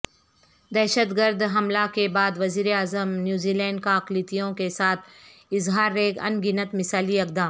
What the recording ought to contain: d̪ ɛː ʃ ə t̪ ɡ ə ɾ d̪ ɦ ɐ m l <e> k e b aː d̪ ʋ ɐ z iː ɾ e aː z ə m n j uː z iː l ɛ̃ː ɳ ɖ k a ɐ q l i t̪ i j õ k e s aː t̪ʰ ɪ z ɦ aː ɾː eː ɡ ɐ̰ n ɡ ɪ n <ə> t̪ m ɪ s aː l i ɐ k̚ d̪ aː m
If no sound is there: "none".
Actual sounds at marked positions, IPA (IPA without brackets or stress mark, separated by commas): a, ə